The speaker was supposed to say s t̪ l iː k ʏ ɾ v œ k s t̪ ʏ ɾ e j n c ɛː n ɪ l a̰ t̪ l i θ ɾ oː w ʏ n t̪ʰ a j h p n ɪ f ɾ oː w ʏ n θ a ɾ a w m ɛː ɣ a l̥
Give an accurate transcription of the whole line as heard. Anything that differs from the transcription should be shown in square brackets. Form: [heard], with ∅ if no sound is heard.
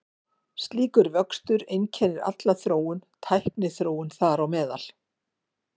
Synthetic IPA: s t̪ l iː k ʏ ɾ v œ k s t̪ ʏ ɾ e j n [cʰ] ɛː n ɪ [ɾ] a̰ t̪ l [a] θ ɾ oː w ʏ n t̪ʰ a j h p n ɪ [θ] ɾ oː w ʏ n θ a ɾ a w m ɛː [ð] a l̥